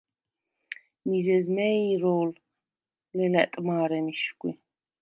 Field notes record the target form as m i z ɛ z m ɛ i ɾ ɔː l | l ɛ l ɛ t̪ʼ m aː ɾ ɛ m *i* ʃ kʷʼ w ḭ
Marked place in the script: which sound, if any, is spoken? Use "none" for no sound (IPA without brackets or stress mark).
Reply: i